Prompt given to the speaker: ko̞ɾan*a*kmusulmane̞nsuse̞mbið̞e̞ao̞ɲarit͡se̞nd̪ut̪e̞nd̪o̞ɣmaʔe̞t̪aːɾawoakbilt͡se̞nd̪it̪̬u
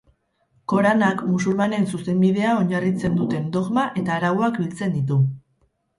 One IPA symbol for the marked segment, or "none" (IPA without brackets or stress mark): a